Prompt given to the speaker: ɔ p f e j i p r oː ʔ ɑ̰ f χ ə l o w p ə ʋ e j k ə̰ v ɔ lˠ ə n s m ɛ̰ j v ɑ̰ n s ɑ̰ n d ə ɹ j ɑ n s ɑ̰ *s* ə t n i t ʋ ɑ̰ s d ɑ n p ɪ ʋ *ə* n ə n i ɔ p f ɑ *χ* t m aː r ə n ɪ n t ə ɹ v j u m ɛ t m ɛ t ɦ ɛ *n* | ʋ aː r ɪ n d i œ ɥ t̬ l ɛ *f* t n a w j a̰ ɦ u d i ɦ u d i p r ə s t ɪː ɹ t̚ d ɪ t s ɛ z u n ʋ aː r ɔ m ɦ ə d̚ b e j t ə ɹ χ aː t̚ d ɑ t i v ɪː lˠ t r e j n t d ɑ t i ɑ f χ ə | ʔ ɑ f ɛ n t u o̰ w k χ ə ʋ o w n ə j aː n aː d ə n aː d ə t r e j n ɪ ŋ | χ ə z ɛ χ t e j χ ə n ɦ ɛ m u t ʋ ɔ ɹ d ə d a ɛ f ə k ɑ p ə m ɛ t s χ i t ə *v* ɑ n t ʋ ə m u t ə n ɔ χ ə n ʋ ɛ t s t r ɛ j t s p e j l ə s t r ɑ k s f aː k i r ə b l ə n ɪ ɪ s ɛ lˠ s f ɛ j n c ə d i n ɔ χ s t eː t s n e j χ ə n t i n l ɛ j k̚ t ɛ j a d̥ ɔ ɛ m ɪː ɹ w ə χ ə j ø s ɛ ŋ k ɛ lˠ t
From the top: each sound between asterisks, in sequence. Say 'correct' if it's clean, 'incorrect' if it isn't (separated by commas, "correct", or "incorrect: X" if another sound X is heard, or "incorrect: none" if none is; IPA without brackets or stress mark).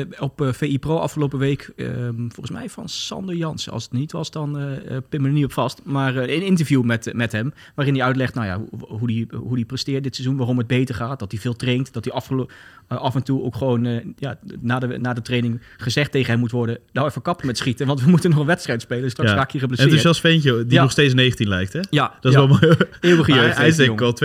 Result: correct, correct, incorrect: s, incorrect: m, incorrect: χ, incorrect: ʋ